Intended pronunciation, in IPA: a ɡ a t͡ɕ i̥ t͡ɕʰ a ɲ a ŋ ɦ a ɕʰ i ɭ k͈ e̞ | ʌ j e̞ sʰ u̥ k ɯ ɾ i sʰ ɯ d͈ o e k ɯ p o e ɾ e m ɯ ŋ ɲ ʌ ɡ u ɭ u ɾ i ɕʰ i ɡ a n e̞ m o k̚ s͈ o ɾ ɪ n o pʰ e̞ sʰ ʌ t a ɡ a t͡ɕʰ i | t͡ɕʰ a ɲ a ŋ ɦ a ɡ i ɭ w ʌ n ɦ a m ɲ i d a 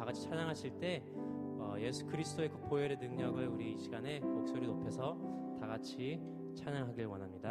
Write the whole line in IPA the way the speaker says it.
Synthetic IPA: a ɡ a t͡ɕʰ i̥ t͡ɕʰ a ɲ a ŋ ɦ a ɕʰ i ɭ t͈ e̞ | ʌ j e̞ sʰ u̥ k ɯ ɾ i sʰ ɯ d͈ o e k ɯ p o e ɾ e n ɯ ŋ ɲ ʌ ɡ ɯ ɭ u ɾ i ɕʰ i ɡ a n e̞ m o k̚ s͈ o ɾ i n o pʰ e̞ sʰ ʌ t a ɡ a t͡ɕʰ i | t͡ɕʰ a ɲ a ŋ ɦ a ɡ i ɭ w ʌ n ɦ a m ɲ i d a